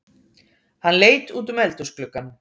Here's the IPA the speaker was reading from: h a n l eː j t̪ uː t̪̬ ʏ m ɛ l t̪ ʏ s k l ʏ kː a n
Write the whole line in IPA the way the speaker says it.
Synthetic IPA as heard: h a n l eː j t̪ uː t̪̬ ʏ m ɛ l t̪ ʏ s k l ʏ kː a n